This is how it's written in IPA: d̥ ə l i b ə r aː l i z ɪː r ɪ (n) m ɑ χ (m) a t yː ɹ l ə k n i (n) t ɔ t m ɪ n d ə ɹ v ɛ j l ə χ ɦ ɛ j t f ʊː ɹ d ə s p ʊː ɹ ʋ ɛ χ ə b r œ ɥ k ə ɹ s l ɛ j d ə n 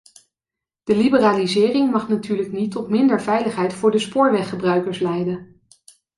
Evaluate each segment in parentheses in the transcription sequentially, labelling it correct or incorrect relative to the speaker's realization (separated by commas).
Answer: incorrect, incorrect, incorrect